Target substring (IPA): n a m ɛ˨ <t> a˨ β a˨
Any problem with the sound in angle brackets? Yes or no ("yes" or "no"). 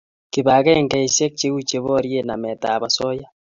no